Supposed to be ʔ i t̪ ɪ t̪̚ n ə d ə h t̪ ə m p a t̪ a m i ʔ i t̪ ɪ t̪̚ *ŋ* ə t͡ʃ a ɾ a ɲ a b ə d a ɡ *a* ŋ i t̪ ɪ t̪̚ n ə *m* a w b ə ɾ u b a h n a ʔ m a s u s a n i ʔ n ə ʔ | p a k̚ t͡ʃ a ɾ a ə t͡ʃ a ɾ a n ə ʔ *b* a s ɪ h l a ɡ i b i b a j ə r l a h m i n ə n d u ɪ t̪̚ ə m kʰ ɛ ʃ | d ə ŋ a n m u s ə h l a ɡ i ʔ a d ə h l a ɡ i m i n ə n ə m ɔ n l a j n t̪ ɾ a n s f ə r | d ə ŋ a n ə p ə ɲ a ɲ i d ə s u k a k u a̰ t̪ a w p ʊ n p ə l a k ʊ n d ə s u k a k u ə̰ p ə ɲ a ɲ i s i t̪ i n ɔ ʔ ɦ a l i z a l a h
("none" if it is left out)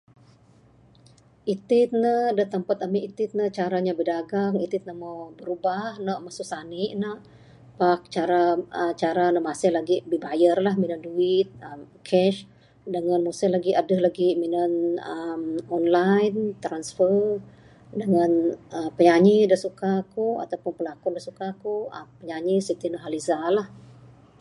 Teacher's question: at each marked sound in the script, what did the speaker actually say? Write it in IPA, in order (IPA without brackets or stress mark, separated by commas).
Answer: n, a, m, m